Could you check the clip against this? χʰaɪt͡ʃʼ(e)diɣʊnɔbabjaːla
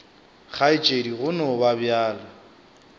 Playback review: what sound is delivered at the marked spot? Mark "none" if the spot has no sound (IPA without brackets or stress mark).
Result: e